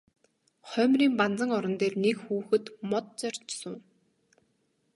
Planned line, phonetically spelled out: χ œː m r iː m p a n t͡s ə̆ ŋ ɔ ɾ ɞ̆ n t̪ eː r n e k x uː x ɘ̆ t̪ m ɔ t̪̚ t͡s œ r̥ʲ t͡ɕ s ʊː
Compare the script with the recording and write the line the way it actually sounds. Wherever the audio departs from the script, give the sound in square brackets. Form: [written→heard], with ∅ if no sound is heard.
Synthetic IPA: χ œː m r iː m p a n t͡s ə̆ ŋ ɔ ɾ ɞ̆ n t̪ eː r n e k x uː x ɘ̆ t̪ m ɔ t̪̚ t͡s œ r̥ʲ t͡ɕ s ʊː